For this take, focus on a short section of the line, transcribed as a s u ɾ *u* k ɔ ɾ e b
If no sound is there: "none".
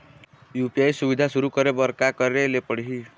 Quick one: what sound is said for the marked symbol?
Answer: u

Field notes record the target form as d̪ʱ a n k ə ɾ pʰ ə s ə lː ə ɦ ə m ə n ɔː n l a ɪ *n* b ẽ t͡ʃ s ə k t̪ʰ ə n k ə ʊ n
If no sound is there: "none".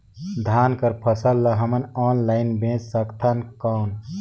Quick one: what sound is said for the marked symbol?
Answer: n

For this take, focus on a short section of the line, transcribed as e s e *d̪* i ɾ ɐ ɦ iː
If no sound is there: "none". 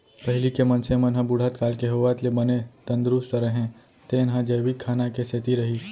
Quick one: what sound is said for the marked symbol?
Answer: t̪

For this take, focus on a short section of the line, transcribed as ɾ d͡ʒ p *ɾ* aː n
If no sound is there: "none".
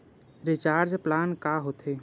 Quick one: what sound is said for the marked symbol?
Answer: l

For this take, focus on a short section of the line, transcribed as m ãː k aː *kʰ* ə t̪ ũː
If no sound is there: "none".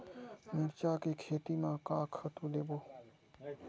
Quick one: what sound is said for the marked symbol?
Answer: kʰ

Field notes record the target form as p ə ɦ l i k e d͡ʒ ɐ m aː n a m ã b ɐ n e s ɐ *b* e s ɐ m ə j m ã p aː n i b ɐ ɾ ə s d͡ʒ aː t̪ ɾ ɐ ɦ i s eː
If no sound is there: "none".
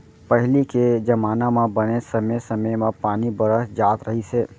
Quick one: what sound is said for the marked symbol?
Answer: m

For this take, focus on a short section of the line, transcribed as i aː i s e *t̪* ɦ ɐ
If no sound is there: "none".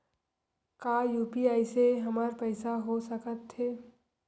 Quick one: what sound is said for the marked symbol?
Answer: none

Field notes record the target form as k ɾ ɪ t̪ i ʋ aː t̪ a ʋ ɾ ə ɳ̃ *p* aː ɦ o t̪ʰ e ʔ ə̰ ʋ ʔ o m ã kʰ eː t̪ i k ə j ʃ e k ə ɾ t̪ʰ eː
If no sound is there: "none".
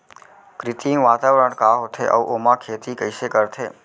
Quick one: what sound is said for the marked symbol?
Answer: k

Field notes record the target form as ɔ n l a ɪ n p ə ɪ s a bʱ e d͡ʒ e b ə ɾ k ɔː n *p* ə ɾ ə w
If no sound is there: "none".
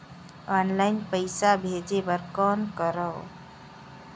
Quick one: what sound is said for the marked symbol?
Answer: k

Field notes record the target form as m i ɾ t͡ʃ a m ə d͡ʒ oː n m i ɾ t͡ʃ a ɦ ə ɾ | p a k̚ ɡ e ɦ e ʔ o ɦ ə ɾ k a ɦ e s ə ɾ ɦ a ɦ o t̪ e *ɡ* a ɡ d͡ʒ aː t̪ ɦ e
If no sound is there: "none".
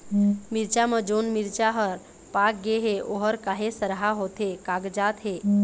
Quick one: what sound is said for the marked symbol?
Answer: k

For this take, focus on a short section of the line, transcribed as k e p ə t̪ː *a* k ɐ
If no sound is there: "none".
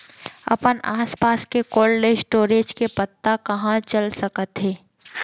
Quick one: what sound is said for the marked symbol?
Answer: a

